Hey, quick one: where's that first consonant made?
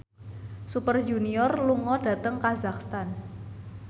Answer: tongue tip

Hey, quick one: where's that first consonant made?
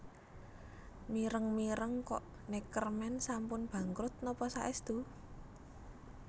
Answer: lips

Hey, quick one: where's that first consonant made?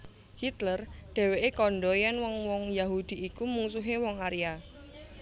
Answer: throat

